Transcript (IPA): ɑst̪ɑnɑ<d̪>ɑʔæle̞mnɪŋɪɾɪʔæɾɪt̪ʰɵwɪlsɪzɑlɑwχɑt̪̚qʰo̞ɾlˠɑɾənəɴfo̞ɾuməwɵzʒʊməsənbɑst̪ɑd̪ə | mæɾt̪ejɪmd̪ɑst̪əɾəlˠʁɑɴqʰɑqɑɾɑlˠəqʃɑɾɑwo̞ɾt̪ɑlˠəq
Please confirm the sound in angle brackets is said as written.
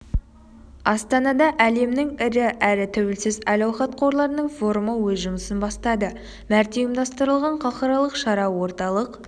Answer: yes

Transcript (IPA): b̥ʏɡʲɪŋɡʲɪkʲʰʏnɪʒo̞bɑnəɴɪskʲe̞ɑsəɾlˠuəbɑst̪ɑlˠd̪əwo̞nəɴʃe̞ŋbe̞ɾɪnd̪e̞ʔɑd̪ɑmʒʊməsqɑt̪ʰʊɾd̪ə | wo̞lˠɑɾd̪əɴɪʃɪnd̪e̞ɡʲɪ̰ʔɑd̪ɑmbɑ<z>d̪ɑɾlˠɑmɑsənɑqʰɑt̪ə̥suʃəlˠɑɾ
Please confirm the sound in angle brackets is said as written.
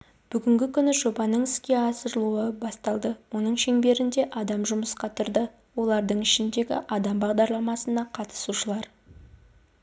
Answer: no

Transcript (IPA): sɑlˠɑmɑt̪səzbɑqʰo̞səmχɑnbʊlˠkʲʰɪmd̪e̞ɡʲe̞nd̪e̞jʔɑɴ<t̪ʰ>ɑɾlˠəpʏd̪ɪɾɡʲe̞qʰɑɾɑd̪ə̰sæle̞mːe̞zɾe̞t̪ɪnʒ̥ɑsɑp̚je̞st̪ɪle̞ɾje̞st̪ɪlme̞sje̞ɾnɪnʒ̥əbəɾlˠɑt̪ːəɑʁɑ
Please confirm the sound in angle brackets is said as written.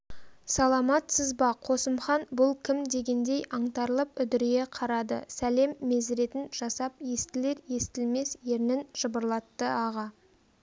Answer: no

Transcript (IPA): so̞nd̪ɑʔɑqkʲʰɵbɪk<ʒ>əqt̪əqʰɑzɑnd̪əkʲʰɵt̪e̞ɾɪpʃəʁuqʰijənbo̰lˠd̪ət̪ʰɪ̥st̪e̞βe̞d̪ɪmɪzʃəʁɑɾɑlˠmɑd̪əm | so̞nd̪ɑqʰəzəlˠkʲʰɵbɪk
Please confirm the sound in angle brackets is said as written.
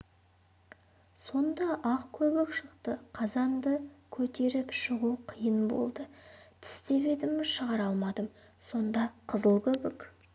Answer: no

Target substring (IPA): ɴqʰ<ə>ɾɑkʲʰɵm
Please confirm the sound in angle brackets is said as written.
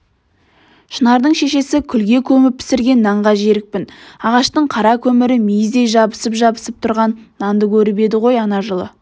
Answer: no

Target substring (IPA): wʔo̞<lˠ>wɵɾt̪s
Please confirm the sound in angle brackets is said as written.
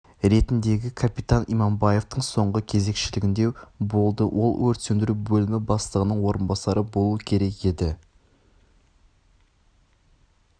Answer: yes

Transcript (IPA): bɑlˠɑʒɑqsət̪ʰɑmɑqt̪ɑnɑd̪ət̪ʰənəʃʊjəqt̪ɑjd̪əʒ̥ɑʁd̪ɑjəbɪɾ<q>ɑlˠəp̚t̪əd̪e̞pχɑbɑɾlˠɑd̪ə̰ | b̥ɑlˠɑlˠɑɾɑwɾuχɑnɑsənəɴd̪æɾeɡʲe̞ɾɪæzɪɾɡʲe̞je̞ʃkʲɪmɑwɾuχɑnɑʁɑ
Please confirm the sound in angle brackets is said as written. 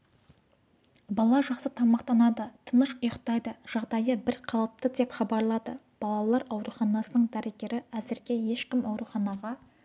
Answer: no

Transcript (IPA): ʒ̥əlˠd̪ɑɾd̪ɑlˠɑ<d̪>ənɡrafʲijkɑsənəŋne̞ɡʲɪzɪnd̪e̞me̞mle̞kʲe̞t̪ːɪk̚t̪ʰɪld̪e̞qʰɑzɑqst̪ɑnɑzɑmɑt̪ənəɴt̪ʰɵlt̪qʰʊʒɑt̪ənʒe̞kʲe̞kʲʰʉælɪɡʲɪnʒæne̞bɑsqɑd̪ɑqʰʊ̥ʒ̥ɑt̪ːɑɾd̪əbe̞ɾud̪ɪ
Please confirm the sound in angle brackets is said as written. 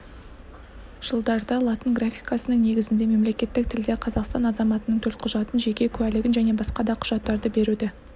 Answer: no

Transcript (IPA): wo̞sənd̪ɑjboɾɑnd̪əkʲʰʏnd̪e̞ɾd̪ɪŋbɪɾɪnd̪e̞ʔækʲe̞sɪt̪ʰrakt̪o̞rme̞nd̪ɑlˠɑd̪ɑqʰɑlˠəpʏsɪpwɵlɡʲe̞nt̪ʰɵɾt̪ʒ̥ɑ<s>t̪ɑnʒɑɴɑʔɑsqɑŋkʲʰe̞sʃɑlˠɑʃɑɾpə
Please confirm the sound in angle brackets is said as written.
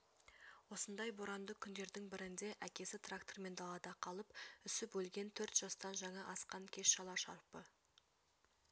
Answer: yes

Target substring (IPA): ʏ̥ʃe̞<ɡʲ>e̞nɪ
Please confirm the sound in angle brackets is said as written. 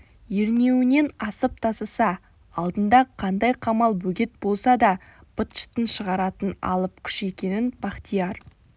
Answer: no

